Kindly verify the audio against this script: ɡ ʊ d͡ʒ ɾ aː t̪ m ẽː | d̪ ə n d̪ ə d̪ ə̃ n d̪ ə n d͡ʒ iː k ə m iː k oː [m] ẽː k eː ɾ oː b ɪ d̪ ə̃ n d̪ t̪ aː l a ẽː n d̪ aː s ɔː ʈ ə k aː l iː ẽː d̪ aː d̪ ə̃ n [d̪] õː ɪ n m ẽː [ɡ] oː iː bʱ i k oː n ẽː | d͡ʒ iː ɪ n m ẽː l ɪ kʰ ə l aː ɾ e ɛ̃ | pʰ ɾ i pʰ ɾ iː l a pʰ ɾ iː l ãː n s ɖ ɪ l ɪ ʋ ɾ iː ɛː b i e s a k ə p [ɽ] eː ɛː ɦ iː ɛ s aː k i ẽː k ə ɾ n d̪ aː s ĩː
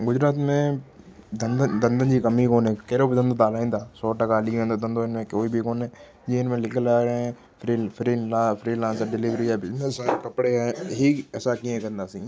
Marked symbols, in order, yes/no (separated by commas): no, yes, no, yes